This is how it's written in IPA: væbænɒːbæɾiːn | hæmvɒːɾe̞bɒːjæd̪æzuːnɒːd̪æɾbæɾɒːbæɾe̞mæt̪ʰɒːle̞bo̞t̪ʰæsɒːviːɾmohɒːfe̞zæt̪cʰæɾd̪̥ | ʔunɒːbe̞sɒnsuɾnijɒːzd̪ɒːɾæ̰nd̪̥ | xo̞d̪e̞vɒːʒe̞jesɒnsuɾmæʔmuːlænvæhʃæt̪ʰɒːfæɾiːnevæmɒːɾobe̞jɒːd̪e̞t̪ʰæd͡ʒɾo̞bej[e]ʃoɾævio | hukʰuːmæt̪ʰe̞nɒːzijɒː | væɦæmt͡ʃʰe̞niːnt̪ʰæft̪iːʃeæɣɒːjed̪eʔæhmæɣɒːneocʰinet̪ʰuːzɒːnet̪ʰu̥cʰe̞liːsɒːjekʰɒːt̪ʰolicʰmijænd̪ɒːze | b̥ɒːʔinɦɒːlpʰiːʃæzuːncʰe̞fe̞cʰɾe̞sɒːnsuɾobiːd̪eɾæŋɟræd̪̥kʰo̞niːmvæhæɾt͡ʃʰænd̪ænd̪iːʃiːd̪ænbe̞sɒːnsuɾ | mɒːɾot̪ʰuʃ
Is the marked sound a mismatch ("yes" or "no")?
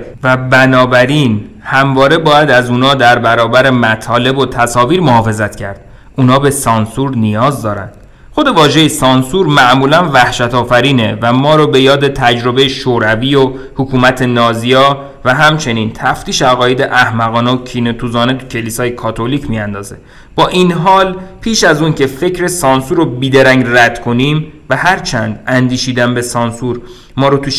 no